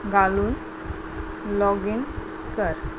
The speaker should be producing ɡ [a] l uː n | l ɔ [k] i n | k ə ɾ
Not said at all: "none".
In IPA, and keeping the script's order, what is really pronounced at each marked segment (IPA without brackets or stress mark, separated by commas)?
a, ɡ